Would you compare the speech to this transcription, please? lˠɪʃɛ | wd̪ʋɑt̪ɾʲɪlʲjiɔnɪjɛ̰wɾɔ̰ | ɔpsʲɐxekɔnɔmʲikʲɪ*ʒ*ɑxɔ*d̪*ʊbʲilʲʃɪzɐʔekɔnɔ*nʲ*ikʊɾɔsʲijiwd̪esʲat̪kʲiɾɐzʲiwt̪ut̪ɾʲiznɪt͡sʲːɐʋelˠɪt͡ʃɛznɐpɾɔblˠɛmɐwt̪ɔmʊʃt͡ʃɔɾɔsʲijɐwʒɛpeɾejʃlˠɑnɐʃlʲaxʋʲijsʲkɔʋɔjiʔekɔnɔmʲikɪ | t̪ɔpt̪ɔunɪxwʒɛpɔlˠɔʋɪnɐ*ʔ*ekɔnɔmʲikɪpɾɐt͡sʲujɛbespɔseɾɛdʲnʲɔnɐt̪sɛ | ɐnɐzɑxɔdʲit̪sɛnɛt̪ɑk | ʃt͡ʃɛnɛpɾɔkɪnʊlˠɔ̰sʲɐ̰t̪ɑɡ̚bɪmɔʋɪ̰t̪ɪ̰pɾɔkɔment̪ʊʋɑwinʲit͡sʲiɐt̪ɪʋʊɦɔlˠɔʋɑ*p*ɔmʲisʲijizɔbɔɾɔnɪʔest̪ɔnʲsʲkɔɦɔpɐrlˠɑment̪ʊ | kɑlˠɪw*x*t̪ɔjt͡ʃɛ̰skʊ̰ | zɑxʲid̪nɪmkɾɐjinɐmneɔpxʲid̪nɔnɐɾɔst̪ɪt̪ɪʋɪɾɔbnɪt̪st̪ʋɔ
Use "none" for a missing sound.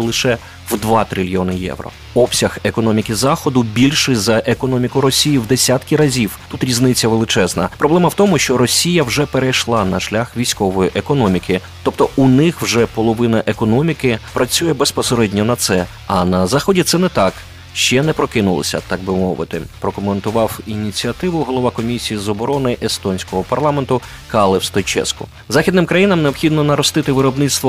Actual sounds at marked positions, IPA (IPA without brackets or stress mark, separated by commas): z, d̪, mʲ, ʔ, k, s